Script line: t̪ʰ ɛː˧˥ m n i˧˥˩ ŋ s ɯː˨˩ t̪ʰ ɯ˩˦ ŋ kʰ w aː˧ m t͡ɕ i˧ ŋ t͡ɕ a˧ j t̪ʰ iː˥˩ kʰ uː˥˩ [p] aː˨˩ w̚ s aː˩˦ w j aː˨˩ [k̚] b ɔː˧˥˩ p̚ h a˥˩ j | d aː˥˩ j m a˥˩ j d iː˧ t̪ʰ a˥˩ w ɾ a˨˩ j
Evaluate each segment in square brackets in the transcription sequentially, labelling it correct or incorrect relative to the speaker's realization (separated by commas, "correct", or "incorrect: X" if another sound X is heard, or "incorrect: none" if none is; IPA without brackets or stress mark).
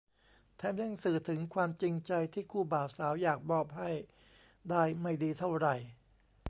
incorrect: b, correct